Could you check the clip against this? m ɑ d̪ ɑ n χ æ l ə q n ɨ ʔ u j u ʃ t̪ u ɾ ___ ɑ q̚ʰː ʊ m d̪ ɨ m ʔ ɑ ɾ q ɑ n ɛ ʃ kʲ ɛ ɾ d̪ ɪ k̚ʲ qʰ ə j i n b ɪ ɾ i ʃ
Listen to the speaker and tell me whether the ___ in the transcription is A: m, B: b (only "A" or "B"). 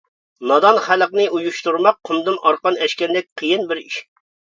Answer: A